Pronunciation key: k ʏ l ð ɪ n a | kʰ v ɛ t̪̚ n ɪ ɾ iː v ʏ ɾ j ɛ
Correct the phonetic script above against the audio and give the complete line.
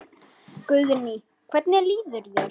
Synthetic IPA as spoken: k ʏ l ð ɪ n i | kʰ v ɛ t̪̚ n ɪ l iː ð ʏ ɾ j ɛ